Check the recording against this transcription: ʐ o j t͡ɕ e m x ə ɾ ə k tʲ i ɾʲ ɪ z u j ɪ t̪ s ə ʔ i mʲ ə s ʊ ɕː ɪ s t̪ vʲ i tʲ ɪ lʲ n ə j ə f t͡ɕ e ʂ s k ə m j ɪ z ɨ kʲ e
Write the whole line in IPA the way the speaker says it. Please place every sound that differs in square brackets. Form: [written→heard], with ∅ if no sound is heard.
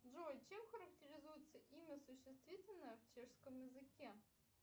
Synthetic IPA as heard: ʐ o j t͡ɕ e m x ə ɾ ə k tʲ [i→ɪ] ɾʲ ɪ z u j ɪ t̪ s ə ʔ i mʲ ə s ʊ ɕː ɪ s t̪ vʲ i tʲ ɪ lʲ n ə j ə f t͡ɕ e ʂ s k ə m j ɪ z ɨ kʲ e